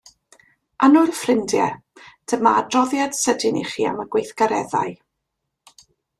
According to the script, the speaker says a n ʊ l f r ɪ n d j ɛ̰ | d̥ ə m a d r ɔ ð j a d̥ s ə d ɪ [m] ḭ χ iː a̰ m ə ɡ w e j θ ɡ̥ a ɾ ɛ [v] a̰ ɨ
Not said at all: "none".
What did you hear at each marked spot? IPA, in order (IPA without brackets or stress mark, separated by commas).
n, ð